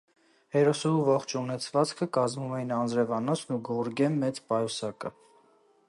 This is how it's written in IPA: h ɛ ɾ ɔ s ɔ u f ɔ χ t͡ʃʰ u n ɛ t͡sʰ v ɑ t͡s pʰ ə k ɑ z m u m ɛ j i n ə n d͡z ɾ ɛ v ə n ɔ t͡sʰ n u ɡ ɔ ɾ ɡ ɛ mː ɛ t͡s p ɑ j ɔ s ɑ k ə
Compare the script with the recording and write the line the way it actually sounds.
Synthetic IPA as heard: h ɛ ɾ ɔ s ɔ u v ɔ χ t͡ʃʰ u n ɛ t͡sʰ v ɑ t͡s kʰ ə k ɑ z m u m ɛ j i n ɑ n d͡z ɾ ɛ v ɑ n ɔ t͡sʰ n u ɡ ɔ ɾ ɡ ɛ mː ɛ t͡s p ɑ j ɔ s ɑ k ə

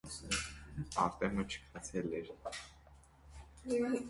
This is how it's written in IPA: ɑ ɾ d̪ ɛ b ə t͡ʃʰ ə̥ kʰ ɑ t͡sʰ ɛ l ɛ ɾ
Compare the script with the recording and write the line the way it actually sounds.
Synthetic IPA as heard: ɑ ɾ t̪ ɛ m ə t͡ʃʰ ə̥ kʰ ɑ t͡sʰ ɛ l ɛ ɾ

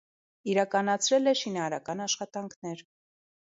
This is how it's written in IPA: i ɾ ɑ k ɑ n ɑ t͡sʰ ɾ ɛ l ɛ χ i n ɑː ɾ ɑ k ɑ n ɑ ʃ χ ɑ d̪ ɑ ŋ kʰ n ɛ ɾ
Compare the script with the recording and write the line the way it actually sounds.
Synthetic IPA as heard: i ɾ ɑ k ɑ n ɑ t͡sʰ ɾ ɛ l ɛ ʃ i n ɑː ɾ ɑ k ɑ n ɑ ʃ χ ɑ t̪ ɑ ŋ kʰ n ɛ ɾ

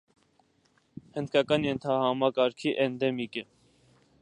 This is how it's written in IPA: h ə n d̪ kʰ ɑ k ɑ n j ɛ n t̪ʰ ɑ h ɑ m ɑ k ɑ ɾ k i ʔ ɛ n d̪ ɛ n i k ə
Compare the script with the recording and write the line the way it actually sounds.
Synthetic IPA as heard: h ə n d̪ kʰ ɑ k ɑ n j ɛ n t̪ʰ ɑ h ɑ m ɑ k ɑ ɾ kʰ i ʔ ɛ n d̪ ɛ m i k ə

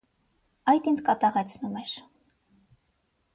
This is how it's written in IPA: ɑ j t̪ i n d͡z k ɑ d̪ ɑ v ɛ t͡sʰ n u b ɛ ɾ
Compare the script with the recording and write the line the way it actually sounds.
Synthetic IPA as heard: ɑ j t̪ i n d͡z k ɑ t̪ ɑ ʁ ɛ t͡sʰ n u m ɛ ɾ

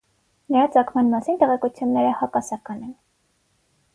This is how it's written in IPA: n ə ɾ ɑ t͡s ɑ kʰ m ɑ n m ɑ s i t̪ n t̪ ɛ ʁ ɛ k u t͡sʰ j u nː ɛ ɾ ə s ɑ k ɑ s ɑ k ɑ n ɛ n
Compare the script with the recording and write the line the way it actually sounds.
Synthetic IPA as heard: n ə ɾ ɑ t͡s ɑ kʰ m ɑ n m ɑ s i n t̪ ɛ ʁ ɛ k u t͡sʰ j u nː ɛ ɾ ə h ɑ k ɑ s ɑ k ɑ n ɛ n

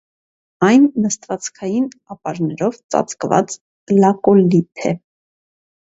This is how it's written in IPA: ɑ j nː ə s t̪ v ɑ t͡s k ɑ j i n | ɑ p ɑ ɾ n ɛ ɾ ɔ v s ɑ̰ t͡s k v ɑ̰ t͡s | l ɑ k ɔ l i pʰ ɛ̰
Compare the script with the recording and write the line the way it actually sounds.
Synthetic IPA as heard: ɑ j nː ə s t̪ v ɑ t͡s kʰ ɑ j i n | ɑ p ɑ ɾ n ɛ ɾ ɔ v t͡s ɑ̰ t͡s k v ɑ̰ t͡s | l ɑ k ɔ l i pʰ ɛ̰

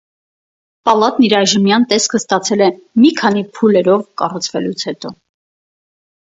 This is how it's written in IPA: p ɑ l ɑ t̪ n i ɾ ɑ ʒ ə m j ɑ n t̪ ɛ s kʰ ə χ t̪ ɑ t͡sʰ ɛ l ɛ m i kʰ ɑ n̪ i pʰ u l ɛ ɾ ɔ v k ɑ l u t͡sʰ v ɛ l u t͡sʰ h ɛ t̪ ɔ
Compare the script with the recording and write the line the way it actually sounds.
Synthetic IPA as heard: p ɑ l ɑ t̪ n i ɾ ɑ ʒ ə m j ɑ n t̪ ɛ s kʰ ə s t̪ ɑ t͡sʰ ɛ l ɛ m i kʰ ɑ n̪ i pʰ u l ɛ ɾ ɔ v k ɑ r u t͡sʰ v ɛ l u t͡sʰ h ɛ t̪ ɔ

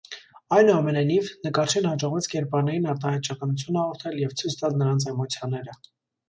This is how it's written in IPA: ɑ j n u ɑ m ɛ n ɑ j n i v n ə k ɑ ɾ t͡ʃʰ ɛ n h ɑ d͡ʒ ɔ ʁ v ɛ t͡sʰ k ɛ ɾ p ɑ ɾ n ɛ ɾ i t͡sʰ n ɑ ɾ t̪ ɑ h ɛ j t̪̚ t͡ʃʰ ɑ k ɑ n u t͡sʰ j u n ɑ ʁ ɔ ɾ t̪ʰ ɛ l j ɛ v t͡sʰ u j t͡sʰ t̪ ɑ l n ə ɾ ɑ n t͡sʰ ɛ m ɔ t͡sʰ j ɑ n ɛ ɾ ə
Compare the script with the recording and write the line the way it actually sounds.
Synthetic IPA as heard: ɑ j n u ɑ m ɛ n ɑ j n i v n ə k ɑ ɾ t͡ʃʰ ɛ n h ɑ d͡ʒ ɔ ʁ v ɛ t͡sʰ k ɛ ɾ p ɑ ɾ n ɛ ɾ i n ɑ ɾ t̪ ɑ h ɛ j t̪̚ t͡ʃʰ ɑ k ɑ n u t͡sʰ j u n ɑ ʁ ɔ ɾ t̪ʰ ɛ l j ɛ v t͡sʰ u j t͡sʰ t̪ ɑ l n ə ɾ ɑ n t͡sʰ ɛ m ɔ t͡sʰ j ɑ n ɛ ɾ ə

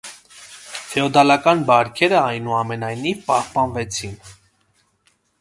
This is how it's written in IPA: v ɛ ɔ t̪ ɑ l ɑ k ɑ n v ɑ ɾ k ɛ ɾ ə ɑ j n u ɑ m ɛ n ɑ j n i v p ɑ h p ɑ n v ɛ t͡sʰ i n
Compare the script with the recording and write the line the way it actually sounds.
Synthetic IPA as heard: f ɛ ɔ d̪ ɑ l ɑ k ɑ n b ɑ ɾ kʰ ɛ ɾ ə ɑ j n u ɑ m ɛ n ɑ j n i v p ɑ h p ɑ n v ɛ t͡sʰ i n

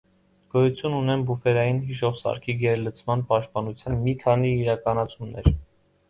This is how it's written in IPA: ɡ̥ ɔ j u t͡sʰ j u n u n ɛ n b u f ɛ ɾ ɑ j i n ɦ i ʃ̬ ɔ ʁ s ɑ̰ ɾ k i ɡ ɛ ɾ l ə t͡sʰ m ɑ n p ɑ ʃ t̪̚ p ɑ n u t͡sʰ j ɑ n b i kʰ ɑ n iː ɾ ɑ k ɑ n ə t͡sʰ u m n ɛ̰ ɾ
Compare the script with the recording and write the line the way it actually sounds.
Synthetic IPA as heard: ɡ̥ ɔ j u t͡sʰ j u n u n ɛ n b u f ɛ ɾ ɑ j i n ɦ i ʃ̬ ɔ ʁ s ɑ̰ ɾ kʰ i ɡ ɛ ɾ l ə t͡sʰ m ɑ n p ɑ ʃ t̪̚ p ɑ n u t͡sʰ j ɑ n m i kʰ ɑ n iː ɾ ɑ k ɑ n ɑ t͡sʰ u m n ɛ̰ ɾ

